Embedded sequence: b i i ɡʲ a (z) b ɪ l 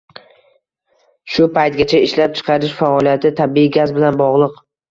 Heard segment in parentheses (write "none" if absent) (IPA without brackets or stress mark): z